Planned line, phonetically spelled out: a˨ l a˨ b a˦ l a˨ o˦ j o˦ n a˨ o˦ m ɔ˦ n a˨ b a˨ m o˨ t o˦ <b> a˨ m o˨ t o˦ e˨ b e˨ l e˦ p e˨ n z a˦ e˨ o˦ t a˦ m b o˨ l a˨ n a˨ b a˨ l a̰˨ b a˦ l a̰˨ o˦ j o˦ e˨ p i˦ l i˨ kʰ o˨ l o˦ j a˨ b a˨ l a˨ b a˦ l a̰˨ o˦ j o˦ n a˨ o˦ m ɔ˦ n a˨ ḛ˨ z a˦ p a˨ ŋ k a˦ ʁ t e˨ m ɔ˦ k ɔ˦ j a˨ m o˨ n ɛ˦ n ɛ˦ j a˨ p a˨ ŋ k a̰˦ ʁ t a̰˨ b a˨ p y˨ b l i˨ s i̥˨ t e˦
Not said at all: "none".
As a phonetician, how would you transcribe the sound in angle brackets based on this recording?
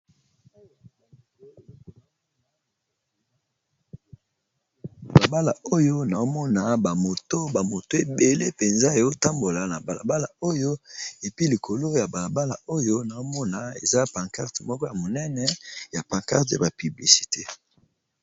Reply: b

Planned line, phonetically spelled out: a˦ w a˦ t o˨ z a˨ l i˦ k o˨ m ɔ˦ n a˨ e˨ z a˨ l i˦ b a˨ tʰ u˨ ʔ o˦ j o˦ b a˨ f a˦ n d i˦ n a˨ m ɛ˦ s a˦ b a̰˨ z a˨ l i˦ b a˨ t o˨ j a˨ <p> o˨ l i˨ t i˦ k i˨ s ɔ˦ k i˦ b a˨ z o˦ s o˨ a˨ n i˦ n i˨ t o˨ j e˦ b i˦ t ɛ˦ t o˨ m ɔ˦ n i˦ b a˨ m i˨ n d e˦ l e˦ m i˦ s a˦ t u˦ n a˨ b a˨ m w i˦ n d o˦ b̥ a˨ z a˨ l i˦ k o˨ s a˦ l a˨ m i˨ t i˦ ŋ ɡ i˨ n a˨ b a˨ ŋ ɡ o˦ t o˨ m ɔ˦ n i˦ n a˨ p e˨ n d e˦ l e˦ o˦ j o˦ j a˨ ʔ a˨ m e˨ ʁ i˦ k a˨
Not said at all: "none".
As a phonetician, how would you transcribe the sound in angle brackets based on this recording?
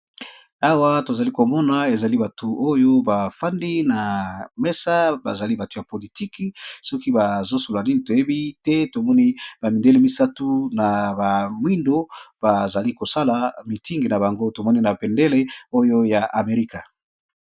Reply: p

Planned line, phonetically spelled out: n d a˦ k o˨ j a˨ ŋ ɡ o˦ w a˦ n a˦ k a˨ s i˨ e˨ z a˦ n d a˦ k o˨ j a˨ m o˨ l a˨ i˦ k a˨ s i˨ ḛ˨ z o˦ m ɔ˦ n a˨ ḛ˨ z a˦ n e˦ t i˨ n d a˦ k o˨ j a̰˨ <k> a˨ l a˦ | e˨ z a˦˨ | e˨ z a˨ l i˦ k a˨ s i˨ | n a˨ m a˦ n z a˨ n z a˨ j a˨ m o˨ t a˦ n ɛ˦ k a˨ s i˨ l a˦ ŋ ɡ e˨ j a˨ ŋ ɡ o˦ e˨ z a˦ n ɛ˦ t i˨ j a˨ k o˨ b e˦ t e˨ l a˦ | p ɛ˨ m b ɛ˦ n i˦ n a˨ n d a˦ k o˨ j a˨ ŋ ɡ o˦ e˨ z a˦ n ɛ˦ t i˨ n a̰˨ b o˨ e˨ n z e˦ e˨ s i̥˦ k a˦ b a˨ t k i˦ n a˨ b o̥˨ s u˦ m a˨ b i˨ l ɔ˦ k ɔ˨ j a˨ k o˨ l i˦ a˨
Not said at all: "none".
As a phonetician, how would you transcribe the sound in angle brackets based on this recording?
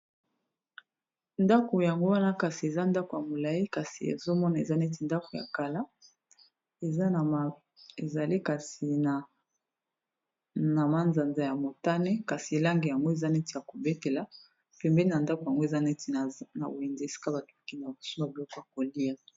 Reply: k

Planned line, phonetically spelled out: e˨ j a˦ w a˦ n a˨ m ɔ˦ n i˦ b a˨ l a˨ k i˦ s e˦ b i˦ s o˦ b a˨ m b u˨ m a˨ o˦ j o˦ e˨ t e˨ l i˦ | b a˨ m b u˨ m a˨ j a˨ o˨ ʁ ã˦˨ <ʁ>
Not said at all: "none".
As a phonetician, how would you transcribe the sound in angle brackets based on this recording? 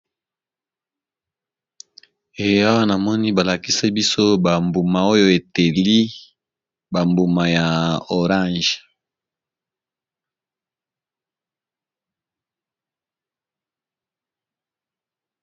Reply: ʒ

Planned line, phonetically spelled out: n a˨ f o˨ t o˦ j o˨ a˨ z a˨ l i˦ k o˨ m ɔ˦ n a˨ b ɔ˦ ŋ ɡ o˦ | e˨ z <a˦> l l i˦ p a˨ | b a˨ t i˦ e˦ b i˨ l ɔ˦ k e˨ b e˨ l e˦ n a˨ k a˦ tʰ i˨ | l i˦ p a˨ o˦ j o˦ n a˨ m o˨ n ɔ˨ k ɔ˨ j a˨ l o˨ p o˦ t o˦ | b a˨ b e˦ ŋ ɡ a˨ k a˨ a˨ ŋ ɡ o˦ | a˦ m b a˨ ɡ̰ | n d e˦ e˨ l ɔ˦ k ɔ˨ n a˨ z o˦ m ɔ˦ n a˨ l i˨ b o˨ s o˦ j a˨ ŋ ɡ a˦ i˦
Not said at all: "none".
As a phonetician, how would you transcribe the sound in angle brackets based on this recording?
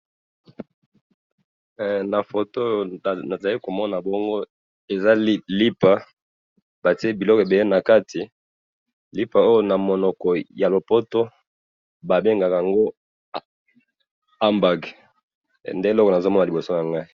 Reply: a˦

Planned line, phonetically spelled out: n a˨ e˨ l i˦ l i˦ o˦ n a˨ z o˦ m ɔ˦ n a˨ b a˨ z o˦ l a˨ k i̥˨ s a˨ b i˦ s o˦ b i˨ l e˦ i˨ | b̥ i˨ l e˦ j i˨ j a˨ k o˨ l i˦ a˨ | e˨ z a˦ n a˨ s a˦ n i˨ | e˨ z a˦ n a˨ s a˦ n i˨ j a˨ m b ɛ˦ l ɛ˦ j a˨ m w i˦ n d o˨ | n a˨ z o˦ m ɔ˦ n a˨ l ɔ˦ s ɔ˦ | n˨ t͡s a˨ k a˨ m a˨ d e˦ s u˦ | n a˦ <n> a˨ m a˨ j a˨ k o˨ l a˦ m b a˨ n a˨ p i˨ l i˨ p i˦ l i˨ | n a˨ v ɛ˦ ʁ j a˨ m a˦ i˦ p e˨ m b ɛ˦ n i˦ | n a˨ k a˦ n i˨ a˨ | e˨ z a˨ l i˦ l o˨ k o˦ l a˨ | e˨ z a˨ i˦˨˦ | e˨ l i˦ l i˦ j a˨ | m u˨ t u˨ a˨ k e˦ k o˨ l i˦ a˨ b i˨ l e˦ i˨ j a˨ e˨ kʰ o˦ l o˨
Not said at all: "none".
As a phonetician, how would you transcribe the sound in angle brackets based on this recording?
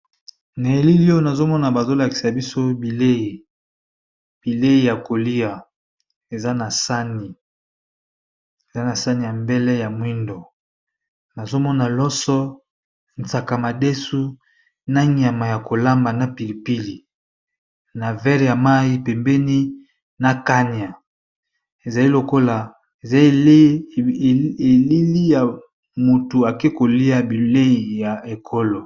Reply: ɲ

